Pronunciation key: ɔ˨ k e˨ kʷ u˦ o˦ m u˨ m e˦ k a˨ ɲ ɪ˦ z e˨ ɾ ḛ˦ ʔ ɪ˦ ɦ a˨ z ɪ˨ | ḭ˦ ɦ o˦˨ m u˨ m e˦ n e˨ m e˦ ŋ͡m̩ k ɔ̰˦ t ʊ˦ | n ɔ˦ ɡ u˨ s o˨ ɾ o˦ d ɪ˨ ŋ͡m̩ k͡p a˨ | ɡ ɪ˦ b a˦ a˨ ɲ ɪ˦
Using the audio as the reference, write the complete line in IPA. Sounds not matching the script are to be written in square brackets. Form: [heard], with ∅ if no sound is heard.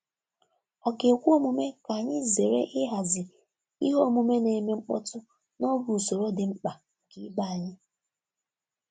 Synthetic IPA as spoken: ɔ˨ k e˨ kʷ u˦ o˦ m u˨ m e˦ k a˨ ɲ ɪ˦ z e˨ ɾ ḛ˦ ʔ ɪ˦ ɦ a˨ z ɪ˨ | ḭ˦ ɦ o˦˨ m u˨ m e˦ n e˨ m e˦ ŋ͡m̩ [k͡p] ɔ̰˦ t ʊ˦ | n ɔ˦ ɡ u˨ s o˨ ɾ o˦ d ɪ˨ ŋ͡m̩ k͡p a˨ | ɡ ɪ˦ b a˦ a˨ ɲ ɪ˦